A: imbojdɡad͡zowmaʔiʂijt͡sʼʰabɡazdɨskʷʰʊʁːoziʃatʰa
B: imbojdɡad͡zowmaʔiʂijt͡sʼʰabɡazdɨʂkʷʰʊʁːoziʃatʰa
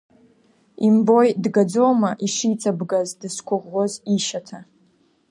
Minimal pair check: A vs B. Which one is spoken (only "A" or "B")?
A